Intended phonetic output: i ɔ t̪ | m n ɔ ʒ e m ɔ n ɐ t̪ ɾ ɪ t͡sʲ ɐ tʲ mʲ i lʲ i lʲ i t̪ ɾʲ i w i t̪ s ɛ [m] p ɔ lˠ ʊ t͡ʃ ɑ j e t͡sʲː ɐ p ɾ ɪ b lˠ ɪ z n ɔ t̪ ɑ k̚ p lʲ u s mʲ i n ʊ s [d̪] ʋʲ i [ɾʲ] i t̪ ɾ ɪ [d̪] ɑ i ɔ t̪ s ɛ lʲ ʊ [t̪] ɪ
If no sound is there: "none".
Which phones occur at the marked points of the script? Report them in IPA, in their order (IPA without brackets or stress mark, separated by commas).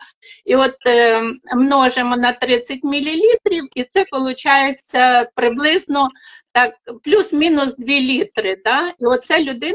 none, d̪, lʲ, d̪, d̪